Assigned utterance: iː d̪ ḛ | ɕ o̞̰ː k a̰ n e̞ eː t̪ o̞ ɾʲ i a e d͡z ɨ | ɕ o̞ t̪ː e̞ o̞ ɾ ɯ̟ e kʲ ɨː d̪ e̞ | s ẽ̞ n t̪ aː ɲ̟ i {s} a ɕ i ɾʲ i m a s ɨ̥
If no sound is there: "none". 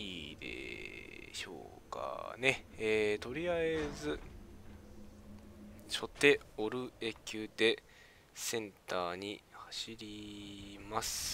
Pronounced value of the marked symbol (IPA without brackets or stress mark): h